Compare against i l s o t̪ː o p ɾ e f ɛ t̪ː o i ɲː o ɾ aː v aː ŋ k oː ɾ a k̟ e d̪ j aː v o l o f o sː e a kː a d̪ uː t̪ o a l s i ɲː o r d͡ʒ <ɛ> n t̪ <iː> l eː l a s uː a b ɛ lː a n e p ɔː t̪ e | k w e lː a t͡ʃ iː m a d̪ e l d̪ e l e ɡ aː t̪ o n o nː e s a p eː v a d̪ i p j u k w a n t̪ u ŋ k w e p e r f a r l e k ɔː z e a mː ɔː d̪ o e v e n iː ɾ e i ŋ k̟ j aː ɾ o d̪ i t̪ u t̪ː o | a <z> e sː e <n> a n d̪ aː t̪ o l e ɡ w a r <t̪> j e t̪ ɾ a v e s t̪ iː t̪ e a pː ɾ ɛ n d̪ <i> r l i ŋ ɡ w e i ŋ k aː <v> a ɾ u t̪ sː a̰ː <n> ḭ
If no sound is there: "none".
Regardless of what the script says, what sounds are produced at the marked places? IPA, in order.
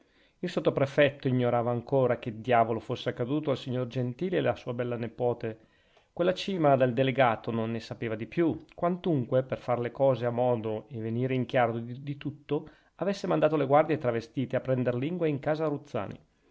e, iː, v, m, d̪, e, z, n

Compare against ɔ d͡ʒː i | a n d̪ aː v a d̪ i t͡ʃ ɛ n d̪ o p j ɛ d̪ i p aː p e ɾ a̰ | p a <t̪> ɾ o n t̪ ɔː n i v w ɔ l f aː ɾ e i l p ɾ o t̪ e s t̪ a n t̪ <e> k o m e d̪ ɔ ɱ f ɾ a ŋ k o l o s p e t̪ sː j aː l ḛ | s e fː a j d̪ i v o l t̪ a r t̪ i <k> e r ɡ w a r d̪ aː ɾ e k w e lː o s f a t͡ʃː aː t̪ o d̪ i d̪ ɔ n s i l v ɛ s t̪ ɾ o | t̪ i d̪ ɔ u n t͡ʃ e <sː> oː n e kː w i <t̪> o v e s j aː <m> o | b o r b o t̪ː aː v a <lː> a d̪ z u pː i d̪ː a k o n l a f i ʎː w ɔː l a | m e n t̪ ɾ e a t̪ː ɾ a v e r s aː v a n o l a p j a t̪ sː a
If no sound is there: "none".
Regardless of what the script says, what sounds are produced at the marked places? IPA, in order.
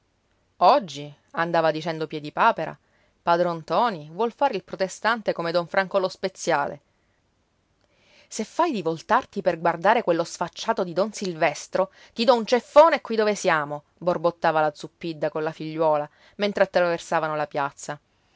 d̪, e, p, fː, d̪, m, l

